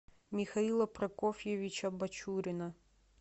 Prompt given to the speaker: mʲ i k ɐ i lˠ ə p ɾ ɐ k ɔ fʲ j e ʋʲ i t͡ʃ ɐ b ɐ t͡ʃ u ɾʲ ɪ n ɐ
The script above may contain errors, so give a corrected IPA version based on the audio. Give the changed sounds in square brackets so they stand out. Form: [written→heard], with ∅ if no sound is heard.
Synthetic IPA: mʲ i [k→x] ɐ i lˠ [ə→ɐ] p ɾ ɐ k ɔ fʲ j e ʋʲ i t͡ʃ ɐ b ɐ t͡ʃ u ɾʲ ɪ n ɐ